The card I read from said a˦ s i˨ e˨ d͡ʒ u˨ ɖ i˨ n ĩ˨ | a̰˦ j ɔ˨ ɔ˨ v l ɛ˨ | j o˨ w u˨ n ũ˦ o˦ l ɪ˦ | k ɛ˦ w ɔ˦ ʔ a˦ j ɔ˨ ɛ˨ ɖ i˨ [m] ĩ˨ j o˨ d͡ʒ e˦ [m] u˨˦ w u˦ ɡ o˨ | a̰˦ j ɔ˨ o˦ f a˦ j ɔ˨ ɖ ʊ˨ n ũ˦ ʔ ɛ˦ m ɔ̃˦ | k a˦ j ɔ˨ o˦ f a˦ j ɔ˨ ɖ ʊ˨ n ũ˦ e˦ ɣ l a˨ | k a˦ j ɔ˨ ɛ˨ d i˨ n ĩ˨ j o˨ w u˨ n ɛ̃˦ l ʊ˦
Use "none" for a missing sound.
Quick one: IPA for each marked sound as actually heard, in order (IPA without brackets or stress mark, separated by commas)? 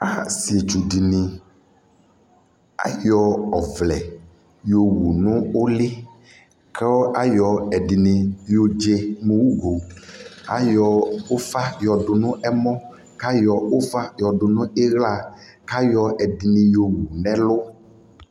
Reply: n, m